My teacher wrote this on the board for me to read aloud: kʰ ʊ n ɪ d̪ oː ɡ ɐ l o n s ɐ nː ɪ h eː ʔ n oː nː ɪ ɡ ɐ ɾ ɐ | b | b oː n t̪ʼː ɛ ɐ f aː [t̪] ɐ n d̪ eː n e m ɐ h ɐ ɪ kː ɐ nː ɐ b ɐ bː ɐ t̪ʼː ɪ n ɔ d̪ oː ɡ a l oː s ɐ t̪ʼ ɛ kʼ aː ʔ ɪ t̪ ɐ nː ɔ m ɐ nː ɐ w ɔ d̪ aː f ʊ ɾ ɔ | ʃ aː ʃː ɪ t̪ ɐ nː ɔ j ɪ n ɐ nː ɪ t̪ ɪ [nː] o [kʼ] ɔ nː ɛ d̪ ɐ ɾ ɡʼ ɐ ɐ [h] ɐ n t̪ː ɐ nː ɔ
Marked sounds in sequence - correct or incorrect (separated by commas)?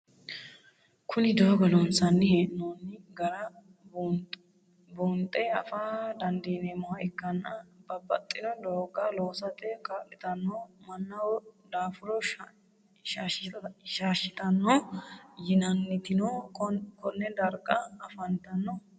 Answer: incorrect, incorrect, incorrect, incorrect